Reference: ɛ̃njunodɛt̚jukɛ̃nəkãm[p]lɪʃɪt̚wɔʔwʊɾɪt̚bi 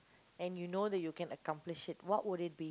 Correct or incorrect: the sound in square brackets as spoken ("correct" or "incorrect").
correct